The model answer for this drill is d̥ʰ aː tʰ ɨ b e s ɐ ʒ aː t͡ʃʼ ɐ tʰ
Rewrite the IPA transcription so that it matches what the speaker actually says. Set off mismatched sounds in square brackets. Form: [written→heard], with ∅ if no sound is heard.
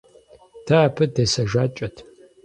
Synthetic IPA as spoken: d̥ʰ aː [tʰ→pʰ] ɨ [b→d] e s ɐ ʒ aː t͡ʃʼ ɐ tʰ